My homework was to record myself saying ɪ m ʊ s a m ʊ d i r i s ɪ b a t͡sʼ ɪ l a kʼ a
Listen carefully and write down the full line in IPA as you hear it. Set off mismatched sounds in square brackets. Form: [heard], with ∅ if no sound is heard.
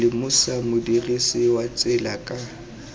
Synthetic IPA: ɪ m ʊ s a m ʊ d i r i s ɪ [w] a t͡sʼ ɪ l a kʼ a

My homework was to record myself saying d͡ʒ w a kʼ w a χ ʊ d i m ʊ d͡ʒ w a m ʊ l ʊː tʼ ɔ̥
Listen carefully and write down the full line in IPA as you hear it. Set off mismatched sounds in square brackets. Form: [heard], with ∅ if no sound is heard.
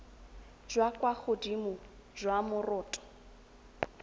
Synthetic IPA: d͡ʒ w a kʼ w a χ ʊ d i m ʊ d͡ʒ w a m ʊ [r] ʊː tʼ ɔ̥

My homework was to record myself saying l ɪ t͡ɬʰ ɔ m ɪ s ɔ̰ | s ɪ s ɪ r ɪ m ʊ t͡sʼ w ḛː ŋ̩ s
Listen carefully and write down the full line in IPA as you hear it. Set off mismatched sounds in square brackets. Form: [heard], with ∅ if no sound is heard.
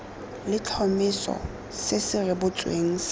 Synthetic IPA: l ɪ t͡ɬʰ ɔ m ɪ s ɔ̰ | s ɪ s ɪ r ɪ [b] ʊ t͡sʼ w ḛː ŋ̩ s

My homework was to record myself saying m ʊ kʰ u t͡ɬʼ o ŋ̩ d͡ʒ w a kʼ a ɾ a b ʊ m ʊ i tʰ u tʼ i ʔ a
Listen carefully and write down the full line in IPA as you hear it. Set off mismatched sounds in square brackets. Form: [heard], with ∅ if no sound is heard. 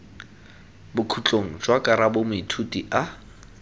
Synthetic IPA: [b] ʊ kʰ u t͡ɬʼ o ŋ̩ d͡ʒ w a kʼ a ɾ a b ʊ m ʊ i tʰ u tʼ i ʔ a

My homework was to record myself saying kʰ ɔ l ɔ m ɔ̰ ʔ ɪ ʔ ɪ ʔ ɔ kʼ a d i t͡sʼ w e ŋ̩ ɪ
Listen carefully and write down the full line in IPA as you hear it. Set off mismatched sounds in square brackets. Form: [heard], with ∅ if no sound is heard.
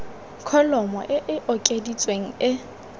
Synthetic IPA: kʰ ɔ l ɔ m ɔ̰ ʔ ɪ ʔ ɪ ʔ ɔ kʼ [e] d i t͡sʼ w e ŋ̩ ɪ

